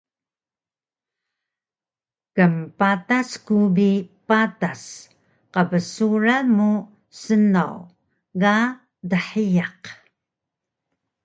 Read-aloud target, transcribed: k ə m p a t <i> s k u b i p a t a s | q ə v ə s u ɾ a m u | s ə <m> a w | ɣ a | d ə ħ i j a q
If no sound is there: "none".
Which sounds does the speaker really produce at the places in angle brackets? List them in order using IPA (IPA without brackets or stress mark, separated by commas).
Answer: a, n